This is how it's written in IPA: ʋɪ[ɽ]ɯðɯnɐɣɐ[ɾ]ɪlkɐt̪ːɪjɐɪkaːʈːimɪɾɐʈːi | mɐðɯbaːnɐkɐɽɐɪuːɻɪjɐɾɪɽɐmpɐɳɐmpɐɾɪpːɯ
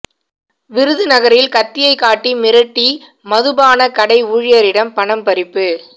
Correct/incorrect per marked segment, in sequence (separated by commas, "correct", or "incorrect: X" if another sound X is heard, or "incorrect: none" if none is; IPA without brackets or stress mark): incorrect: ɾ, correct